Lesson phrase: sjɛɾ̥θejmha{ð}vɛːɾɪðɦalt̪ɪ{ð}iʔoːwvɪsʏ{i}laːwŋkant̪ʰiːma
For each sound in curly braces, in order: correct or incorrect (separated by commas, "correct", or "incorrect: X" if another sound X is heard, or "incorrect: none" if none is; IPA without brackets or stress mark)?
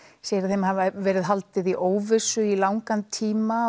incorrect: v, correct, correct